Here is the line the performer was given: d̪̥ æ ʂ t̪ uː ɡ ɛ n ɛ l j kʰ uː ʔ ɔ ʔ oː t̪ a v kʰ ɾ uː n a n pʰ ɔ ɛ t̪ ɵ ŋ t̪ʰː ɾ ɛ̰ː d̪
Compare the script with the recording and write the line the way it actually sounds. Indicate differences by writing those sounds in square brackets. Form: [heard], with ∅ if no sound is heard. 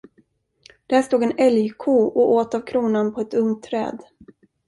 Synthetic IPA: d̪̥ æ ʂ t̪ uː ɡ ɛ n ɛ l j kʰ uː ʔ ɔ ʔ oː t̪ a v kʰ ɾ uː n a n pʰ ɔ ɛ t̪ ɵ ŋ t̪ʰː ɾ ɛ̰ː d̪